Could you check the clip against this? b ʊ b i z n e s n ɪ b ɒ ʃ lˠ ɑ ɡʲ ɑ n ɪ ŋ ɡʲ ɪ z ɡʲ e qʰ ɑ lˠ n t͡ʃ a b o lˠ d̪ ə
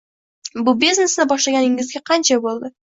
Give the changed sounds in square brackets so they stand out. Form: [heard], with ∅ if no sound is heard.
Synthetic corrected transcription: b ʊ b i z n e s n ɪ b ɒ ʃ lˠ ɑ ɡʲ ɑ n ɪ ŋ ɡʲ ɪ z ɡʲ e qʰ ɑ [∅] n t͡ʃ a b o lˠ d̪ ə